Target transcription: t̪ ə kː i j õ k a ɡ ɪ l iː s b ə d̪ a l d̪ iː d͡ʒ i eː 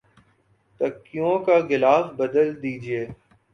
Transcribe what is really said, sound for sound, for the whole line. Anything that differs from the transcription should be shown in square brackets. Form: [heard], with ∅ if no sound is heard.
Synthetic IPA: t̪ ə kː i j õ k a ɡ ɪ l [aː] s b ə d̪ [ə] l d̪ iː d͡ʒ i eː